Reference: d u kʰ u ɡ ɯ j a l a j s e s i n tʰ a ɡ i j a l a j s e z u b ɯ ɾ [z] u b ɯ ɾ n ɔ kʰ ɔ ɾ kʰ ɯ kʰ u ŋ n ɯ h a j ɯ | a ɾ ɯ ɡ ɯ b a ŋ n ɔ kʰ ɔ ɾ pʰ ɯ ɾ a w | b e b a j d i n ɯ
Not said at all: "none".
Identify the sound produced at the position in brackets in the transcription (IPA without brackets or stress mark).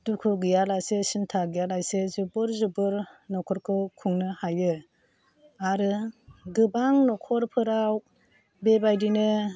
z